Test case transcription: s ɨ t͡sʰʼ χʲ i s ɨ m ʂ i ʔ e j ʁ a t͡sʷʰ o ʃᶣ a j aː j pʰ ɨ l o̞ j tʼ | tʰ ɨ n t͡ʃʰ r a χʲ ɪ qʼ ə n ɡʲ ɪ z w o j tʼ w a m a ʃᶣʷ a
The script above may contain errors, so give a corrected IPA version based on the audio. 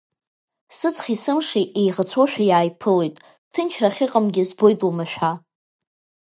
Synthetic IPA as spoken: s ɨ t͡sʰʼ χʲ i s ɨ m ʂ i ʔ e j ʁ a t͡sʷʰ o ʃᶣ a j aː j pʰ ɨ l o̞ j tʼ | tʰ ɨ n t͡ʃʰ r a χʲ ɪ qʼ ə m ɡʲ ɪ z b o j tʼ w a m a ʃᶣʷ a

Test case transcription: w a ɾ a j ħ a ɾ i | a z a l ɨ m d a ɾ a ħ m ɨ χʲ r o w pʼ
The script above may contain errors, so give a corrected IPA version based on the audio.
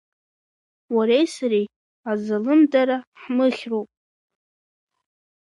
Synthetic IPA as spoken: w a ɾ e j s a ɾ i | a z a l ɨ m d a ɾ a ħ m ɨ χʲ r o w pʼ

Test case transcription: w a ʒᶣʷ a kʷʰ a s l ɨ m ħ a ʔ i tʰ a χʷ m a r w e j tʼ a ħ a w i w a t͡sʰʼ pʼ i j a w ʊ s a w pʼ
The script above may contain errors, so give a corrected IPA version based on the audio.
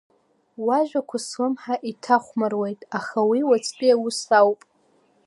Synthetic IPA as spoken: w a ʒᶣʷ a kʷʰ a s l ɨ m ħ a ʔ i tʰ a χʷ m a r w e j tʼ a χ a w i w a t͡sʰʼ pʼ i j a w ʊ s a w pʼ

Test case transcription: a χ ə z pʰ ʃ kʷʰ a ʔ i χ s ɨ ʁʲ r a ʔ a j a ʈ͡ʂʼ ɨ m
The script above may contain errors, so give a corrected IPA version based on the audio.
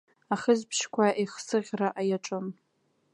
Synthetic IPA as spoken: a χ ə z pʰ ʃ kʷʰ a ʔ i χ s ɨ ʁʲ r a ʔ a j a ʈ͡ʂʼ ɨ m

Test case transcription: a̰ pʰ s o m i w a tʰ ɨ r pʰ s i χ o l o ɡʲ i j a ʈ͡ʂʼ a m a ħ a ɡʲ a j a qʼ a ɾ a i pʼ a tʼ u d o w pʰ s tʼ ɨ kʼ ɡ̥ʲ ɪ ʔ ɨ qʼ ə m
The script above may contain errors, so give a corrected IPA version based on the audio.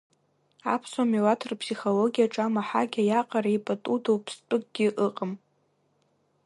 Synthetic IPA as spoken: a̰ pʰ s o m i w a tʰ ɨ r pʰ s i χ o l o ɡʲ i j a ʈ͡ʂʼ a m a ħ a ɡʲ a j a qʼ a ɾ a i pʼ a tʼ u d o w pʰ s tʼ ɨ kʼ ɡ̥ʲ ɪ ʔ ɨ qʼ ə m

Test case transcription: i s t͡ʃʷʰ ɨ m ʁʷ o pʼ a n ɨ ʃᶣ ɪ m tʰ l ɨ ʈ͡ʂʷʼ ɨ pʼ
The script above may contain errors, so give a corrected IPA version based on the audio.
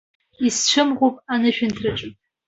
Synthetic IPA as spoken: i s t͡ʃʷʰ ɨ m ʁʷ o pʼ a n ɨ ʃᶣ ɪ n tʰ r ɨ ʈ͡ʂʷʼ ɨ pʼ

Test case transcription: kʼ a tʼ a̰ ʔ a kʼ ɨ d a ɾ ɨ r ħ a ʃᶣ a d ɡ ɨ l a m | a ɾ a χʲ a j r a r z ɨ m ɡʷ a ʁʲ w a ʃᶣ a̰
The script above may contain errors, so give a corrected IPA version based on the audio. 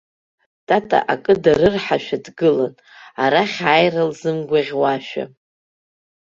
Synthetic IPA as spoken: tʼ a tʼ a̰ ʔ a kʼ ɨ d a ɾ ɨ r ħ a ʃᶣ a d ɡ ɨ l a n | a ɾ a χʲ a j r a l z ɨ m ɡʷ a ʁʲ w a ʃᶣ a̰

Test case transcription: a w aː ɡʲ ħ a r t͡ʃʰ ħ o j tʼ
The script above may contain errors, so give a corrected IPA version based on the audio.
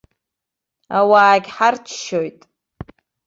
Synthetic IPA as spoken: a w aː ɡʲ ħ a r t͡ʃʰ ʃ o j tʼ

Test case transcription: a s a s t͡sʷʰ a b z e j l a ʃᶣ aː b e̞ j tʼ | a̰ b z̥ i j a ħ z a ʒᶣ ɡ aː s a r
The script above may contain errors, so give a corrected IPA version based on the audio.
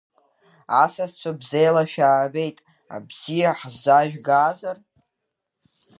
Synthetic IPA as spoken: a s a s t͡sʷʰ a b z e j l a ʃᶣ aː b e̞ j tʼ | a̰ b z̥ i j a ħ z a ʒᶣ ɡ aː z a r

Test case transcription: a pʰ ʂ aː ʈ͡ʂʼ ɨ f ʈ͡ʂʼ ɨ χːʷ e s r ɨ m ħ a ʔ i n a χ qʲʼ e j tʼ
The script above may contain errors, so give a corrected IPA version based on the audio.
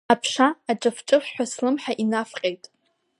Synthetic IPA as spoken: a pʰ ʂ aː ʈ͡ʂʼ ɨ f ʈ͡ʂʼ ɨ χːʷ a s l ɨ m ħ a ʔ i n a f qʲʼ e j tʼ

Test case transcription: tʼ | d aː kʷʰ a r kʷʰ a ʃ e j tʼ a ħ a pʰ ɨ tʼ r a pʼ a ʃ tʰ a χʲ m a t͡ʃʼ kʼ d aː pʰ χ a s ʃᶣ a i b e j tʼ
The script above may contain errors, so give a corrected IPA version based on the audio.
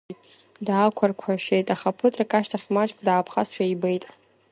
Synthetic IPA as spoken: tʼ | d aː kʷʰ a r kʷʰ a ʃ e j tʼ a χ a pʰ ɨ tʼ r a kʼ a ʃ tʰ a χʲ m a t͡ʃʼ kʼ d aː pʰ χ a s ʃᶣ a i b e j tʼ

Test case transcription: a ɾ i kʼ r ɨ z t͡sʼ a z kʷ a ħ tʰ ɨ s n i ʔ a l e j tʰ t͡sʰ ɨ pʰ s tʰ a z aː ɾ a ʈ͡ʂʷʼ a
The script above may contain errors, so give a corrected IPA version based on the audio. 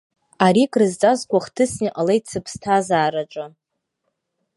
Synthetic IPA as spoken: a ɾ i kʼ r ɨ z t͡sʼ a z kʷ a χ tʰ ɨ s n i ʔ a l e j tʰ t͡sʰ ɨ pʰ s tʰ a z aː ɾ a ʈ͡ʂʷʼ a

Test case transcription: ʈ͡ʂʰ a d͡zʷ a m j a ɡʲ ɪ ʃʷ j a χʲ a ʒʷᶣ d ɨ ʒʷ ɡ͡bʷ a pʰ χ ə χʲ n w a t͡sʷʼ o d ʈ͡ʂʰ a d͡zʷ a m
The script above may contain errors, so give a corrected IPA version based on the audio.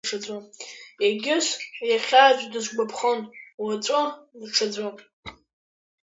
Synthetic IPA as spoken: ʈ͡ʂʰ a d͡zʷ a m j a ɡʲ ɪ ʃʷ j a χʲ a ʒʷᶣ d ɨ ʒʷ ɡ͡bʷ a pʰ χ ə n w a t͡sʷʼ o d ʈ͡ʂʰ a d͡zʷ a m

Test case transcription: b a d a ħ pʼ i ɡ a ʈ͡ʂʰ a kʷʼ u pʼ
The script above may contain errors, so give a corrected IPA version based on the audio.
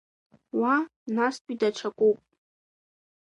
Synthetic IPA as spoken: w a n a s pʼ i d a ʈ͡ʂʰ a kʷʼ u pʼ

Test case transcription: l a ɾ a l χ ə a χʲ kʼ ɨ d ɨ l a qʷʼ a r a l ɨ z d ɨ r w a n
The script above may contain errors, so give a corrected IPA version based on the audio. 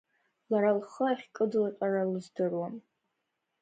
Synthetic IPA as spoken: l a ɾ a l χ ə a χʲ kʼ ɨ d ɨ l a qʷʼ a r a l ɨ z d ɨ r w a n

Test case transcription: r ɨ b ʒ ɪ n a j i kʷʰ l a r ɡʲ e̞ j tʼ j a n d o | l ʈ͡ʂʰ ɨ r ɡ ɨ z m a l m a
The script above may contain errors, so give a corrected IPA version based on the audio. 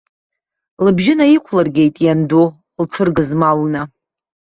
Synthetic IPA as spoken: l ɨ b ʒ ɪ n a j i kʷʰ l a r ɡʲ e̞ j tʼ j a n d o | l ʈ͡ʂʰ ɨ r ɡ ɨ z m a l n a

